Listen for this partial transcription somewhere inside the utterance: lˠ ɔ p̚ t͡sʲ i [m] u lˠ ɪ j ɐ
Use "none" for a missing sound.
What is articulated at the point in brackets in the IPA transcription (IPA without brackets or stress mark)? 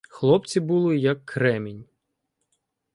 b